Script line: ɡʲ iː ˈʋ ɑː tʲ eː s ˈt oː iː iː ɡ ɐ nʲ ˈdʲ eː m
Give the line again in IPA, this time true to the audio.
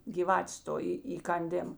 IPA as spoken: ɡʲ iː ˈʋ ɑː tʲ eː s ˈt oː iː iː k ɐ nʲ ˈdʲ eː m